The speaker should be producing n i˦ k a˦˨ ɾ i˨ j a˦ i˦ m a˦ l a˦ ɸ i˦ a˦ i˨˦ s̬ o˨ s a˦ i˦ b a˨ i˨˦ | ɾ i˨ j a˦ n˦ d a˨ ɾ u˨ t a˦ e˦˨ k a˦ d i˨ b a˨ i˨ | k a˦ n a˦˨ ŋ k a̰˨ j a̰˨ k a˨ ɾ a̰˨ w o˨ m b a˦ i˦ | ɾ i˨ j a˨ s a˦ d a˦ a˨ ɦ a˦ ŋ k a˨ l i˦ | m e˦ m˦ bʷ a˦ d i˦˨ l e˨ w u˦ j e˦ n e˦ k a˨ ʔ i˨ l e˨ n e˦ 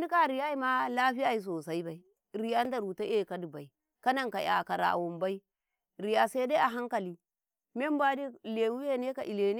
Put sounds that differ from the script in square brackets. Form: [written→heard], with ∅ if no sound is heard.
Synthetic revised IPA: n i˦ k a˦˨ ɾ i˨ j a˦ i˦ m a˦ l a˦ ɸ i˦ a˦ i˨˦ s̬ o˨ s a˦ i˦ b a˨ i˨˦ | ɾ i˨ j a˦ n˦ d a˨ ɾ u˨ t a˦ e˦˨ k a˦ d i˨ b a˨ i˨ | k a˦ n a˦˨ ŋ k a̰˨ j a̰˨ k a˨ ɾ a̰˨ w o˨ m b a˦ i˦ | ɾ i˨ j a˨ s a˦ d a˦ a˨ ɦ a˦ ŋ k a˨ l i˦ | m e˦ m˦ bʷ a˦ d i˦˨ l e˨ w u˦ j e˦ n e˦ k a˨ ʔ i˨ l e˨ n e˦